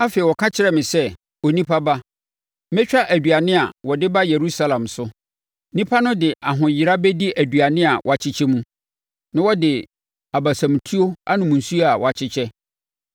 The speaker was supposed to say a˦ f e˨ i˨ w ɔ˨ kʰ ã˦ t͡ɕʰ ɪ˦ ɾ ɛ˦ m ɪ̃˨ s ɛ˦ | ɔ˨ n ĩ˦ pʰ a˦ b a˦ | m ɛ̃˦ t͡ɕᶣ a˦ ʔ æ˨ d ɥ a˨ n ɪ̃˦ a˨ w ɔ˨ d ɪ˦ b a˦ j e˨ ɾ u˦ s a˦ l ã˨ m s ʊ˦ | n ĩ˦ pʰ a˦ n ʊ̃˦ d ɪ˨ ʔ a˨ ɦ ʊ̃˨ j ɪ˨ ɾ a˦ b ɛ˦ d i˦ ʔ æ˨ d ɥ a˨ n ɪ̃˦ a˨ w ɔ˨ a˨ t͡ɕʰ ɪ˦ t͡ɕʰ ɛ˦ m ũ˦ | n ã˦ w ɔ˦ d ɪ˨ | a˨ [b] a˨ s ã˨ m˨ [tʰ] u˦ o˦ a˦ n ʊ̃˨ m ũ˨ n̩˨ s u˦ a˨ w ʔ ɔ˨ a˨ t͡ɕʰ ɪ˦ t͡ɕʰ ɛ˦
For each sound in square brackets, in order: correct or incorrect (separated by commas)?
correct, correct